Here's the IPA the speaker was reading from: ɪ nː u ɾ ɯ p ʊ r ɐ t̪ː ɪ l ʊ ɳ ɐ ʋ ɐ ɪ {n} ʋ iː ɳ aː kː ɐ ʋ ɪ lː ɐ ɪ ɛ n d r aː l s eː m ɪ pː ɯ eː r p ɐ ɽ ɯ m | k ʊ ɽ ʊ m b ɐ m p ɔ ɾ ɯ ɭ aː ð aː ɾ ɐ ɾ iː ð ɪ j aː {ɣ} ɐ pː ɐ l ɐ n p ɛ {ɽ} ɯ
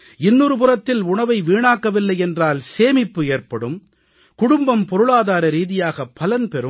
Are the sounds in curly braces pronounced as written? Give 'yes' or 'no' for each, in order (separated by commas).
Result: no, yes, no